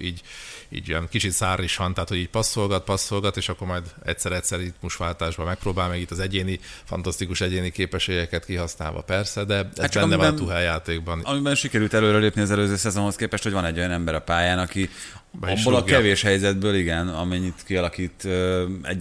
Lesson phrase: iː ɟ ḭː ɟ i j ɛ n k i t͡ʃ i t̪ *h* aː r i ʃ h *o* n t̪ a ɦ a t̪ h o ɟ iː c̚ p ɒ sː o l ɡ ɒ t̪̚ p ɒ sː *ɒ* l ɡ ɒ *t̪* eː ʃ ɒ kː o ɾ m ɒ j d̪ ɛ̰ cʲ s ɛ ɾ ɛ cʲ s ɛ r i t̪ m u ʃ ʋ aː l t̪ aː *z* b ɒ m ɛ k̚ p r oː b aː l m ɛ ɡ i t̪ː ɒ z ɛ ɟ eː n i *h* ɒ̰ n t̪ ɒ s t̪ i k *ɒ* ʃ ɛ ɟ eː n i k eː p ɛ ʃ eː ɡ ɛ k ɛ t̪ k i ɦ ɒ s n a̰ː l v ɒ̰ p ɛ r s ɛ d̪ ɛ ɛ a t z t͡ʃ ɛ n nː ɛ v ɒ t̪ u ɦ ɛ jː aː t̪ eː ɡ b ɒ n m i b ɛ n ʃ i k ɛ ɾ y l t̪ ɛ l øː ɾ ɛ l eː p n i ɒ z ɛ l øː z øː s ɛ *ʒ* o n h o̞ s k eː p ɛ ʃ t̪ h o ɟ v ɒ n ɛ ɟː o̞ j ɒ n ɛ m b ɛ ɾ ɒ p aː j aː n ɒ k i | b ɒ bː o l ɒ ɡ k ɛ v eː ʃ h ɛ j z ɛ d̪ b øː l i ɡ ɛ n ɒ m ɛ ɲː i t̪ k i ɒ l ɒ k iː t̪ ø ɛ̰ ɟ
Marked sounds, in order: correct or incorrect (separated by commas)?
incorrect, incorrect, incorrect, correct, incorrect, incorrect, incorrect, incorrect